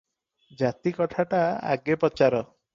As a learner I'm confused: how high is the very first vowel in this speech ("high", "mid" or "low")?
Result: low